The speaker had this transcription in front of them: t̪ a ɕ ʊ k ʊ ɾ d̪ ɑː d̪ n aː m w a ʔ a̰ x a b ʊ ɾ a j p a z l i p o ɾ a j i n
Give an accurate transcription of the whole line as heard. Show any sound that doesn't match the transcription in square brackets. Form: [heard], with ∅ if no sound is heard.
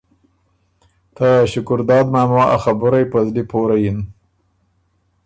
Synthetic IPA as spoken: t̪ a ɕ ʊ k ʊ ɾ d̪ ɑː d̪ [m] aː m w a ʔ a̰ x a b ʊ ɾ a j p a z l i p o ɾ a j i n